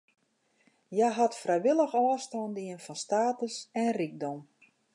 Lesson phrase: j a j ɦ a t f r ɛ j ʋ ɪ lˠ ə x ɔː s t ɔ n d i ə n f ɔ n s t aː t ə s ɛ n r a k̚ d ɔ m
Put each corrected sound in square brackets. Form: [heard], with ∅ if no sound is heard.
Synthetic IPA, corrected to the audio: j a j ɦ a t f r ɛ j ʋ ɪ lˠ ə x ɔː s t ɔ n d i ə n f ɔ n s t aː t ə s ɛ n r [i] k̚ d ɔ m

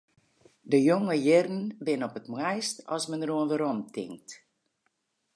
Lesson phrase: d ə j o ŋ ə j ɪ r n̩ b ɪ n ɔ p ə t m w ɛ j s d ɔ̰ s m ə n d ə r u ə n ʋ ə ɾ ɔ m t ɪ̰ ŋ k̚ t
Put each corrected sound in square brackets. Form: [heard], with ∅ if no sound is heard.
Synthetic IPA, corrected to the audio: d ə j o ŋ ə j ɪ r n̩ b ɪ n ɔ p ə t m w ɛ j s [t] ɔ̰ s m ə n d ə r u ə n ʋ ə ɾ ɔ m t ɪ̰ ŋ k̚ t

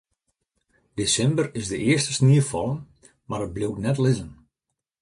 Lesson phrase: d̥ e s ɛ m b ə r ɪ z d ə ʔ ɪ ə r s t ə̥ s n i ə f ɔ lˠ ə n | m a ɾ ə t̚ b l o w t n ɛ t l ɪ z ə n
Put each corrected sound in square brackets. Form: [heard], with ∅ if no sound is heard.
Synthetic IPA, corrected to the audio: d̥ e s ɛ m b ə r ɪ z d ə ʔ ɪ ə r s t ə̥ s n i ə f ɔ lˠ ə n | m a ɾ ə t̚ b l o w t n ɛ t l ɪ z ə n

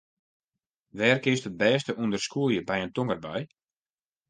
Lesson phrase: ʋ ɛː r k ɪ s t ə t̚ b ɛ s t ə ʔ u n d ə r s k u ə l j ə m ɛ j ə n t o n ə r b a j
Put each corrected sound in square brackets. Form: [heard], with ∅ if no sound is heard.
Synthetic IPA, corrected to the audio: ʋ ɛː r k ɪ s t ə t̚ b [ɛː] s t ə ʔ u n d ə r s k u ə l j ə [b] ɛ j ə n t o [ŋ] ə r b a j

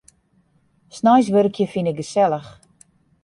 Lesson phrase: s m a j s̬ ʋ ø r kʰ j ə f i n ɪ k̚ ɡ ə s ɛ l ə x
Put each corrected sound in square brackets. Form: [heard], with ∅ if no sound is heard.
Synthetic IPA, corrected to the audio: s [n] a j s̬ ʋ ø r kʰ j ə f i n ɪ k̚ ɡ ə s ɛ l ə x

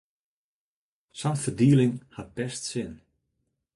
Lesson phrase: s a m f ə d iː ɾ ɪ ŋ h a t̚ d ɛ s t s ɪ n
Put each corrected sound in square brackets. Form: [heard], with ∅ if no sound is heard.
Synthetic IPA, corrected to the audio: s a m f ə d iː [l] ɪ ŋ h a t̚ [b] ɛ s t s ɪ n

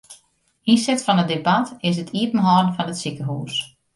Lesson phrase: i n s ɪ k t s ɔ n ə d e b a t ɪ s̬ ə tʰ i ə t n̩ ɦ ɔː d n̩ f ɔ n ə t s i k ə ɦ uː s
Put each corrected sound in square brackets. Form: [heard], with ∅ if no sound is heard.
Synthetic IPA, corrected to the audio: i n s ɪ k t [f] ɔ n ə d e b a t ɪ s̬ ə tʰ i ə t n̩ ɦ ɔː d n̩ f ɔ n ə t s i k ə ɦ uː s

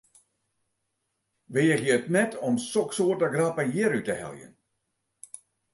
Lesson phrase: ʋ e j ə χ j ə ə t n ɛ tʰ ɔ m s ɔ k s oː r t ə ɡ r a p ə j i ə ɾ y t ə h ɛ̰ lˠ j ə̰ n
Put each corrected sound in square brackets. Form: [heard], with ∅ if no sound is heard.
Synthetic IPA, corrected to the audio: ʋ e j ə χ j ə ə t n ɛ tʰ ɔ m s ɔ k s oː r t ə ɡ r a p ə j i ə ɾ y t ə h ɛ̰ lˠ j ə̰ n

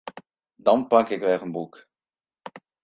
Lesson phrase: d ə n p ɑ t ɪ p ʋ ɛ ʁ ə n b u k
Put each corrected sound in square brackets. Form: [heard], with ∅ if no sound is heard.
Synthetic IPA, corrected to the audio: d [ɑ] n p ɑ [k] ɪ [k] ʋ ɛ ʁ ə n b u k

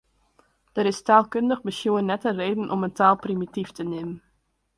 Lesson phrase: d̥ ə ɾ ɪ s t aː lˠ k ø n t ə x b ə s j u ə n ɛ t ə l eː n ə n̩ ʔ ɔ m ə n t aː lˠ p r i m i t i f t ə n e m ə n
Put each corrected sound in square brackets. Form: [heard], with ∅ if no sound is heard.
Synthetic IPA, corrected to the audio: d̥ ə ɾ ɪ s t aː lˠ k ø n [d] ə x b ə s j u ə n ɛ t ə [r] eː [d] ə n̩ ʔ ɔ m ə n t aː lˠ p r i m i t i f t ə n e m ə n

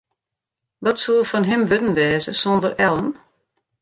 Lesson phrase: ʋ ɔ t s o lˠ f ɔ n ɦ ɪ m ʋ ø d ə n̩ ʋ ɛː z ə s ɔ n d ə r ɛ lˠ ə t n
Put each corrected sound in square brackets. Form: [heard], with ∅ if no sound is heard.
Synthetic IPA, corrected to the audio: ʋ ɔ t s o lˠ f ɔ n ɦ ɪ m ʋ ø d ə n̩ ʋ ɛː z ə s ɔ n d ə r ɛ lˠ ə [∅] n

